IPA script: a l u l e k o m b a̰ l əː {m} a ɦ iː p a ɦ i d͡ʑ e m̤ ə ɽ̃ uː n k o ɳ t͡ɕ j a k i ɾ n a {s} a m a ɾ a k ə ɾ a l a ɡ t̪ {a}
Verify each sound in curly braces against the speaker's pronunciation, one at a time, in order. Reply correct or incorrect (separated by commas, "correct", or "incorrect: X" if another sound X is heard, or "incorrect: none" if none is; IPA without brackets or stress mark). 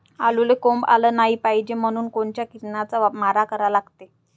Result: incorrect: n, incorrect: t͡s, incorrect: e